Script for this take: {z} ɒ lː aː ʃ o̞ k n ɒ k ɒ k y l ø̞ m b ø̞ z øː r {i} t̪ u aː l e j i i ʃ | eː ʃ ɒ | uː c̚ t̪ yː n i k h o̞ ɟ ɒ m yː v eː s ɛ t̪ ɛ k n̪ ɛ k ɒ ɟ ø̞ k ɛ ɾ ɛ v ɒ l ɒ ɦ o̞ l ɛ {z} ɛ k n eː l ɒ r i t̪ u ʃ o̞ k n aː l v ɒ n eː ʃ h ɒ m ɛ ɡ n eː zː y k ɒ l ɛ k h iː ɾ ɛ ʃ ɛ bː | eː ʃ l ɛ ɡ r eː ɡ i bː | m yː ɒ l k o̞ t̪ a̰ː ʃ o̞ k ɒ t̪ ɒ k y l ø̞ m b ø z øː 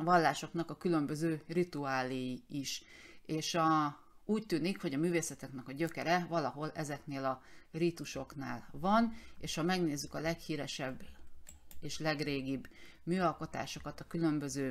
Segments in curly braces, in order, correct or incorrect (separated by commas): incorrect, correct, correct